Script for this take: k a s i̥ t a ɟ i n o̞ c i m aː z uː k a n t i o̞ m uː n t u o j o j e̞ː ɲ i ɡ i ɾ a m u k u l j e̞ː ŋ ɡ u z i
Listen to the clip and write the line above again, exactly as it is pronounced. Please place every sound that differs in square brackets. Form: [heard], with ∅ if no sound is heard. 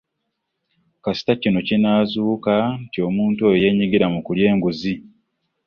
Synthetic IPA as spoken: k a s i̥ t a [c] i n o̞ c i [n] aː z uː k a n t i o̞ m uː n t u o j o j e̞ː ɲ i ɡ i ɾ a m u k u l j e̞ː ŋ ɡ u z i